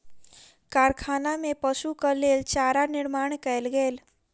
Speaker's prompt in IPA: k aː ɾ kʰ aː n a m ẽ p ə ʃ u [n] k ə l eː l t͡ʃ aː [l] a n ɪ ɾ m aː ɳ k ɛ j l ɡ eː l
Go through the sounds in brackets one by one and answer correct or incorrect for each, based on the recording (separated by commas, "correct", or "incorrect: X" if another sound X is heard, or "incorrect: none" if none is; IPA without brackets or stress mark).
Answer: incorrect: none, incorrect: ɾ